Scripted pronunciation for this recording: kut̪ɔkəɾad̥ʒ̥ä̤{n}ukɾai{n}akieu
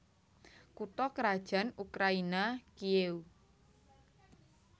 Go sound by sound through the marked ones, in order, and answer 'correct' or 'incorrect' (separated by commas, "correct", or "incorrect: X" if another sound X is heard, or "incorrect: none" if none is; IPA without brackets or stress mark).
correct, correct